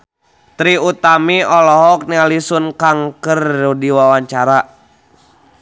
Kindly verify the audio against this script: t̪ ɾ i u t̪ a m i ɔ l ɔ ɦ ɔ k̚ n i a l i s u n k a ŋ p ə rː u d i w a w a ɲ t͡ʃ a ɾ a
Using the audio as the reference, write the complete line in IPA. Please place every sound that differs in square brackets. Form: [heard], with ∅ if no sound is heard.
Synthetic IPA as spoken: t̪ ɾ i u t̪ a m i ɔ l ɔ ɦ ɔ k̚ n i a l i s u n k a ŋ [k] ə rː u d i w a w a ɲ t͡ʃ a ɾ a